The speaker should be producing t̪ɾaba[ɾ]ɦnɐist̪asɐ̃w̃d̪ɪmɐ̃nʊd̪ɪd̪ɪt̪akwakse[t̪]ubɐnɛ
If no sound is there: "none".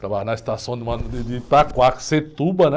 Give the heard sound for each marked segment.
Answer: none, t̪

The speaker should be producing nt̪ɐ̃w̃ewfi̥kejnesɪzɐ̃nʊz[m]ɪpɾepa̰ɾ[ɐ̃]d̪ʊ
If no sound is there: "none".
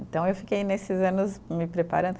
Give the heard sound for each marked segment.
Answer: m, ɐ̃

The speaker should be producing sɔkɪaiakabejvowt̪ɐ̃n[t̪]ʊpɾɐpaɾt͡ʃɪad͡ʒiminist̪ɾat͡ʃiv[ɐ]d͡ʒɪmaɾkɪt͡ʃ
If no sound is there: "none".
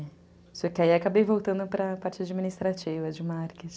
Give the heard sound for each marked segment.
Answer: d̪, ɐ

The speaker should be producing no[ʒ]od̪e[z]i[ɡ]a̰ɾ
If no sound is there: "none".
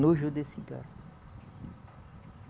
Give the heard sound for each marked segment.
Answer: ʒ, s, ɡ

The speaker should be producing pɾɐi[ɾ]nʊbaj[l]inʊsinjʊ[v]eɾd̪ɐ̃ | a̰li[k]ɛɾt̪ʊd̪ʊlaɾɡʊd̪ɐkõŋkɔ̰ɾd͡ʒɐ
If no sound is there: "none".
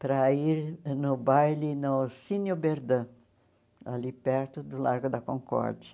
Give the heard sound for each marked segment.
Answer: ɾ, l, b, p

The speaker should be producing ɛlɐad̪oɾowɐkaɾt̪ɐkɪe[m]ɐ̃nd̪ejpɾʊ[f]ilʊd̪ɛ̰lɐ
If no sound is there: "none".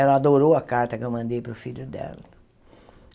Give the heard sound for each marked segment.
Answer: m, f

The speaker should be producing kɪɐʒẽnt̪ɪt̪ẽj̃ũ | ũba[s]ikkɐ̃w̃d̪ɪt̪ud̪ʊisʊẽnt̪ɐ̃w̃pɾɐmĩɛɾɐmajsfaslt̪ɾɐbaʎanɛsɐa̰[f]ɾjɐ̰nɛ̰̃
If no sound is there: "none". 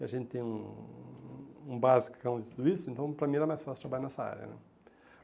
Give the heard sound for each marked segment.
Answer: z, none

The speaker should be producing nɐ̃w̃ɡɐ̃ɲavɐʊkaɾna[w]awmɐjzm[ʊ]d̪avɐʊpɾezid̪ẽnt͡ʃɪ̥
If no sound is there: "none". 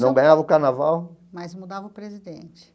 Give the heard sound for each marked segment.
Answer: v, u

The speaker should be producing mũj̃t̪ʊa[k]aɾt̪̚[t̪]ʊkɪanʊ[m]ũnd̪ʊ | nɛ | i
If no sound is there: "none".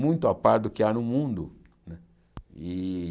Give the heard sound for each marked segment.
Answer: p, d̪, m

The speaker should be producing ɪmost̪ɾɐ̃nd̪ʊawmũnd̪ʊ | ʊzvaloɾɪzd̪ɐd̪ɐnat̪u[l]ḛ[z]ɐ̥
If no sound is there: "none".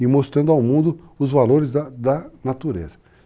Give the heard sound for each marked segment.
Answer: ɾ, z

